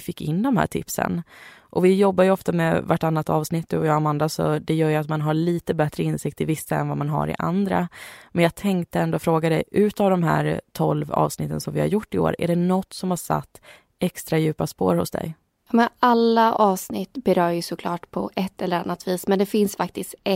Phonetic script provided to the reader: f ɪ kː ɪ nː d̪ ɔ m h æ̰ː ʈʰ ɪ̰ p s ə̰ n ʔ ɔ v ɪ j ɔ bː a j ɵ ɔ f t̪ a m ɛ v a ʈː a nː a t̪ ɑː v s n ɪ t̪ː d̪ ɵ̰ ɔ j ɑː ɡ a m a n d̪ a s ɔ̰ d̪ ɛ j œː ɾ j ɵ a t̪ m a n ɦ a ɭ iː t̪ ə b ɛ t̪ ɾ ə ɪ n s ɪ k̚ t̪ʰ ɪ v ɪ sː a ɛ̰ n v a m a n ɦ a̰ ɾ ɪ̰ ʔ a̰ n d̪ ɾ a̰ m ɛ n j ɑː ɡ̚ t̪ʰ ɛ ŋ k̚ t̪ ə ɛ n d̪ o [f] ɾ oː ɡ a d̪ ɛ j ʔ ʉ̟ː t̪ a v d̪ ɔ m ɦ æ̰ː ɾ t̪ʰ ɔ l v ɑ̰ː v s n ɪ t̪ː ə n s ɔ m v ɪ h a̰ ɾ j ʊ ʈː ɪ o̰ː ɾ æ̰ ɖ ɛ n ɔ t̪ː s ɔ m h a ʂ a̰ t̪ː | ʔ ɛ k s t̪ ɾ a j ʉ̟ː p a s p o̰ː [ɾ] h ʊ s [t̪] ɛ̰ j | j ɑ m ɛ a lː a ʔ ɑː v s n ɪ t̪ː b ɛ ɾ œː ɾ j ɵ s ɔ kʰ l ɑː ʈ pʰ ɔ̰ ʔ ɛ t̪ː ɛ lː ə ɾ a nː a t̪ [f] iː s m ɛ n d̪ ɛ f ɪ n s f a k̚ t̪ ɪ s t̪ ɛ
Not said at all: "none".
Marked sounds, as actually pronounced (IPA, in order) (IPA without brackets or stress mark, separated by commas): f, ɾ, d̪, v